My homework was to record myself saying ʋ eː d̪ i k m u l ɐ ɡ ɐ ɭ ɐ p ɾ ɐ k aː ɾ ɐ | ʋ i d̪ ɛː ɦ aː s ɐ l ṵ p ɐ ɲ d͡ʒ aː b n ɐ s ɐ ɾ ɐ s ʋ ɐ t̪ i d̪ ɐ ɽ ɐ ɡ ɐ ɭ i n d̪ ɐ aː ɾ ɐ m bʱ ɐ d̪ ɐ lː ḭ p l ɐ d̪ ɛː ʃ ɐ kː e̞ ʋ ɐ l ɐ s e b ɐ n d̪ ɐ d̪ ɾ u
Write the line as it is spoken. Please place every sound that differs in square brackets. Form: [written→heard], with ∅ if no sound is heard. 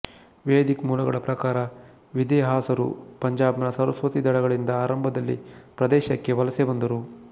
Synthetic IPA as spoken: ʋ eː d̪ i k m [u→uː] l ɐ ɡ ɐ ɭ ɐ p ɾ ɐ k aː ɾ ɐ | ʋ i d̪ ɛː ɦ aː s ɐ [l→ɾ] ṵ p ɐ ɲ d͡ʒ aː b n ɐ s ɐ ɾ ɐ s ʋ ɐ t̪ i d̪ ɐ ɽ ɐ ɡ ɐ ɭ i n d̪ ɐ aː ɾ ɐ m bʱ ɐ d̪ ɐ lː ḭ p [l→ɾ] ɐ d̪ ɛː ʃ ɐ kː e̞ ʋ ɐ l ɐ s e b ɐ n d̪ ɐ [d̪→∅] ɾ u